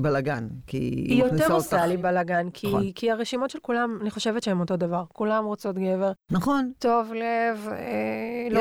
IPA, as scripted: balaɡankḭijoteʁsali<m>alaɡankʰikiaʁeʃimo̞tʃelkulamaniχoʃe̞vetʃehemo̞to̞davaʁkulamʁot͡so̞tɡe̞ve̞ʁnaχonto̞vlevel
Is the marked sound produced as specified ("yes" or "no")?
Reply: no